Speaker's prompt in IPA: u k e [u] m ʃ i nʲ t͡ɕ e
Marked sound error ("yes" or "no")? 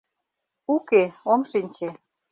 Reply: yes